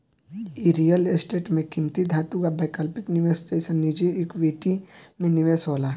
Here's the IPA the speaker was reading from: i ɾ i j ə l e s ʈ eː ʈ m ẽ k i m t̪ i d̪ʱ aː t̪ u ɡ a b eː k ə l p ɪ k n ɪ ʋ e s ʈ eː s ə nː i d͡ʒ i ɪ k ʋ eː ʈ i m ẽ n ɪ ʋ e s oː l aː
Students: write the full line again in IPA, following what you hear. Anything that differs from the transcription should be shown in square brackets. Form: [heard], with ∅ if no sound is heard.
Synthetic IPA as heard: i ɾ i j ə l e s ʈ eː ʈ m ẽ k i m t̪ i d̪ʱ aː t̪ u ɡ a b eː k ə l p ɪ k n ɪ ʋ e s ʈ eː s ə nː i d͡ʒ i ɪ k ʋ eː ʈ i m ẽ n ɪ ʋ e s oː l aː